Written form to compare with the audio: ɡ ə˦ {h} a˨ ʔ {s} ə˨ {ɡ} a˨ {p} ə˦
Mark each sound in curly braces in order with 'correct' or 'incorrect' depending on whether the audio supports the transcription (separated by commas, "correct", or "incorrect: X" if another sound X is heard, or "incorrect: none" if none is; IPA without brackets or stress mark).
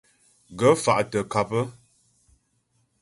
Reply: incorrect: f, incorrect: t, incorrect: k, correct